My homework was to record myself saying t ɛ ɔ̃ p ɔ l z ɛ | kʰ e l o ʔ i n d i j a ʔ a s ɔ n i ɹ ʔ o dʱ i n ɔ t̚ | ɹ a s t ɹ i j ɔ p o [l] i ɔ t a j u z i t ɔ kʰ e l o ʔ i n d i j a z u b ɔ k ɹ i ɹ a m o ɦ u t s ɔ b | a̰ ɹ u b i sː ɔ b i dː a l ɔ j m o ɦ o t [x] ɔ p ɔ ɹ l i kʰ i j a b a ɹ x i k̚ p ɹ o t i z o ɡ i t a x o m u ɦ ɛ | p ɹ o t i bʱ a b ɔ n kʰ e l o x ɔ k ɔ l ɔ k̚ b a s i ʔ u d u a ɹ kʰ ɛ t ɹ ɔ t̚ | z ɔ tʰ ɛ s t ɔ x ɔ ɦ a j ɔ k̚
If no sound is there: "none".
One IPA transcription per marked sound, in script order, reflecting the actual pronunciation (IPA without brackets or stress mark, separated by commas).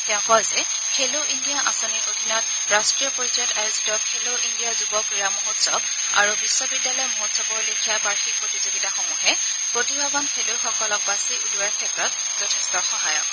ɹ, s